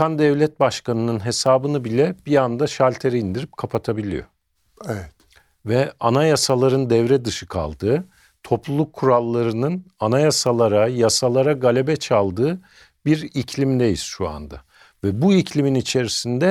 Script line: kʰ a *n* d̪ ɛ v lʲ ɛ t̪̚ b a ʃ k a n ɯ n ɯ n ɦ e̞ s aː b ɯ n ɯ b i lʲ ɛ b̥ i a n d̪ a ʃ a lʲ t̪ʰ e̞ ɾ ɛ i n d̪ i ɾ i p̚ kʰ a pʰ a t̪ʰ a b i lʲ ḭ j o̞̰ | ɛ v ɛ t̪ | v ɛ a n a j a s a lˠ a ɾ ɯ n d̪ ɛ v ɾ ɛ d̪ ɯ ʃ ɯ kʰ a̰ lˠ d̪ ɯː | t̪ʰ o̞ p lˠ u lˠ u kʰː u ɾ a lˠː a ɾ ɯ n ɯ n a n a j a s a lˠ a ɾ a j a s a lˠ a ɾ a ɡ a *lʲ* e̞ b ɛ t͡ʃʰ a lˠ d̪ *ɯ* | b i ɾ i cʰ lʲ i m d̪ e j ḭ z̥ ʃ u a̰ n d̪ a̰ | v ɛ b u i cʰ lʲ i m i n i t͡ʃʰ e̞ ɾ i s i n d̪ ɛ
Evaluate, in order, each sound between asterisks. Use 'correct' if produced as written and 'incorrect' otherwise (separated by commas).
correct, correct, incorrect